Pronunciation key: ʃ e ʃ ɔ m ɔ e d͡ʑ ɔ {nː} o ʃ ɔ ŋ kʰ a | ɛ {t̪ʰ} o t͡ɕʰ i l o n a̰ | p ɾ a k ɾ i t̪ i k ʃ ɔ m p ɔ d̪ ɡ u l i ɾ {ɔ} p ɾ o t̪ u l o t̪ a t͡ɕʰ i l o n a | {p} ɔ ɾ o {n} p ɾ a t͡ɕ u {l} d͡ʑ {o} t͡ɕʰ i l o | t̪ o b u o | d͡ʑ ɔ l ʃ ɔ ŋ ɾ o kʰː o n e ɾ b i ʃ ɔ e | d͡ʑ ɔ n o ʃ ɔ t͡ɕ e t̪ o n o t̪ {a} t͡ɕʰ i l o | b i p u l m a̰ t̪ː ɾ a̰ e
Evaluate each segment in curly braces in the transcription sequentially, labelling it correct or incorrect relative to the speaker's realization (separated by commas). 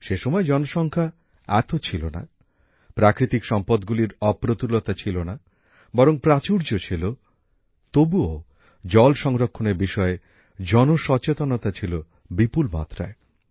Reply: incorrect, incorrect, correct, incorrect, incorrect, incorrect, correct, correct